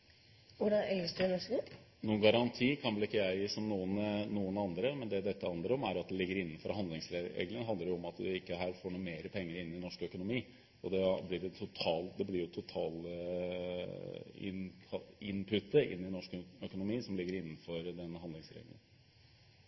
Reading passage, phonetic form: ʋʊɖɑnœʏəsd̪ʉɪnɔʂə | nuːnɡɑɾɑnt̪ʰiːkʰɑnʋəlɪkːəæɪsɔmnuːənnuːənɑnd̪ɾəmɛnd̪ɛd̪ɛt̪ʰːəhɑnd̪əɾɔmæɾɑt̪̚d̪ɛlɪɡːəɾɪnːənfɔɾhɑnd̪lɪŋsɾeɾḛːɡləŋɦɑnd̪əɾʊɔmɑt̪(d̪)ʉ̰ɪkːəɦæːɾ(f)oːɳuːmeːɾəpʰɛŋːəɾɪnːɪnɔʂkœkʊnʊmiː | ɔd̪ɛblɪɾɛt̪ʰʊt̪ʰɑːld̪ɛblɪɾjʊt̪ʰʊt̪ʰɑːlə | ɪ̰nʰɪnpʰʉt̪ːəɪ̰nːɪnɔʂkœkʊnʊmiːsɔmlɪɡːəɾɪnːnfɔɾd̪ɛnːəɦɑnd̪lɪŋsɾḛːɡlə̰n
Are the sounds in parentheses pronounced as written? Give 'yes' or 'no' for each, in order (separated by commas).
yes, yes